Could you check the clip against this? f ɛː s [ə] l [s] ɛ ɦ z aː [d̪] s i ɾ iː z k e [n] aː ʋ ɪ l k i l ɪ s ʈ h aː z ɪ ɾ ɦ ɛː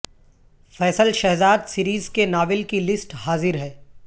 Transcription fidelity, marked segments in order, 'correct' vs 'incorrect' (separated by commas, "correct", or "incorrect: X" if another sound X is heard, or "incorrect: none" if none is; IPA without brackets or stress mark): correct, incorrect: ʃ, correct, correct